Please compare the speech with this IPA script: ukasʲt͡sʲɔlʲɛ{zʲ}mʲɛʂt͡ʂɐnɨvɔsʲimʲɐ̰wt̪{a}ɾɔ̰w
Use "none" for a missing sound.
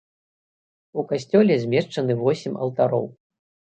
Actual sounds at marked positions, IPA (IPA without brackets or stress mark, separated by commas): zʲ, a